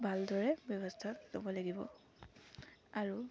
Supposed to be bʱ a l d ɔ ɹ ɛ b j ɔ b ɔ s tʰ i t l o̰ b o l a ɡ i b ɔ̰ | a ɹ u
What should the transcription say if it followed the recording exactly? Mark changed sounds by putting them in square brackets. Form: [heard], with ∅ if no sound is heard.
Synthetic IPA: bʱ a l d ɔ ɹ ɛ b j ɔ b ɔ s tʰ [a] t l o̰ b [ɔ] l a ɡ i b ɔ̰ | a ɹ u